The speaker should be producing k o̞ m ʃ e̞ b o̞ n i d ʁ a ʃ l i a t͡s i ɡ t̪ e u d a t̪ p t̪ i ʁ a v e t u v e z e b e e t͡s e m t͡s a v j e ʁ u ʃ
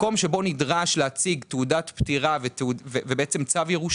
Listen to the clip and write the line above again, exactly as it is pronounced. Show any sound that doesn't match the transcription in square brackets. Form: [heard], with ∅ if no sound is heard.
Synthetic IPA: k o̞ m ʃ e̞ b o̞ n i d ʁ a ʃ l [e] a t͡s i ɡ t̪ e u d a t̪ p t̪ i ʁ a v e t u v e [v] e b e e t͡s e m t͡s a v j e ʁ u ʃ